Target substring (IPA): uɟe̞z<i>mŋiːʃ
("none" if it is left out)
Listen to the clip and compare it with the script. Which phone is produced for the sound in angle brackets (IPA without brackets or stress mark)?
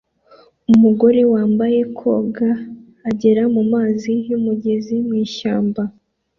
i